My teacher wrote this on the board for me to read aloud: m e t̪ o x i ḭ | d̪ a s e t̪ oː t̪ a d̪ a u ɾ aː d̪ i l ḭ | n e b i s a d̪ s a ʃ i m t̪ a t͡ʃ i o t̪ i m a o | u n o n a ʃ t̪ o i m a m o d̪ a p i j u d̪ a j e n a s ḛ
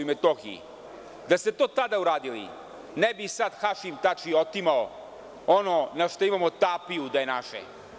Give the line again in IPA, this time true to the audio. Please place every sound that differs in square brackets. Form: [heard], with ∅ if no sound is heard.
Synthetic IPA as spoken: m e t̪ o x i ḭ | d̪ a s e t̪ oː t̪ a d̪ a u ɾ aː d̪ i l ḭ | n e b i s a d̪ [x] a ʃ i m t̪ a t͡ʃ i o t̪ i m a o | [o] n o n a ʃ t̪ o i m a m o [t̪] a p i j u d̪ a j e n a [ʃ] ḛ